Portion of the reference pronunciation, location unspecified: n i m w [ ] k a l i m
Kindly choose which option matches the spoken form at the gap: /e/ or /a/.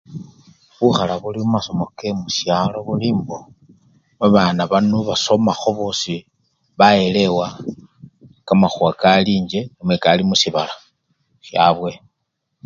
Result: e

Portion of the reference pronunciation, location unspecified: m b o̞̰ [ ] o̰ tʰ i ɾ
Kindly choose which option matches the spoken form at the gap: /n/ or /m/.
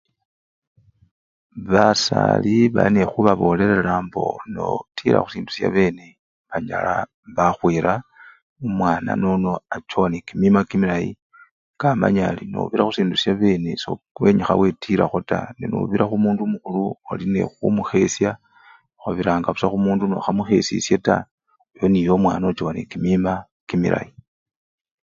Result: n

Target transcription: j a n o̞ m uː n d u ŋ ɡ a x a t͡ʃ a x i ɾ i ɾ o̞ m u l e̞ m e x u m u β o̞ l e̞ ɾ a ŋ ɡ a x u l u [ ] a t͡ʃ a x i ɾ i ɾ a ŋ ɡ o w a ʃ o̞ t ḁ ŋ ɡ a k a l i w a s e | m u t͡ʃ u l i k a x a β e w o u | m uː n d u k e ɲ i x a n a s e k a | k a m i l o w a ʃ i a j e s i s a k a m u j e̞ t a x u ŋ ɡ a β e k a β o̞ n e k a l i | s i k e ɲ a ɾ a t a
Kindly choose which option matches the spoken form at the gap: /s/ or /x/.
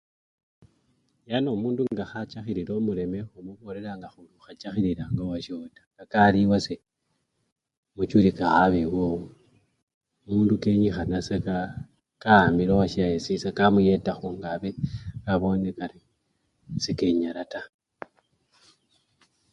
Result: x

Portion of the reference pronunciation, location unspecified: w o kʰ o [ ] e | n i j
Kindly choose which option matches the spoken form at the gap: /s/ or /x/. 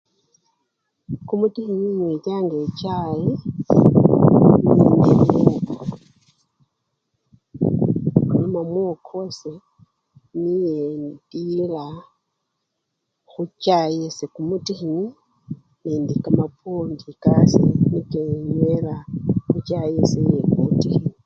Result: s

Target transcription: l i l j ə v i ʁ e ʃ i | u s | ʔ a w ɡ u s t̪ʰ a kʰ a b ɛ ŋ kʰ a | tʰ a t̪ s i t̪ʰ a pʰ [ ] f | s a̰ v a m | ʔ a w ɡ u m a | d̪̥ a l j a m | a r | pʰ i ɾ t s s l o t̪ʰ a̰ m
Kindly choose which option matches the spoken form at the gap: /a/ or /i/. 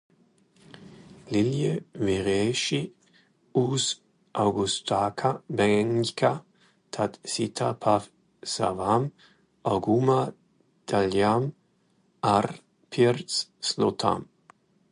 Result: a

